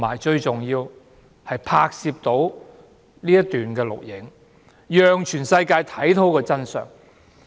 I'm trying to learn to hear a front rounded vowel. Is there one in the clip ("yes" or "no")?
yes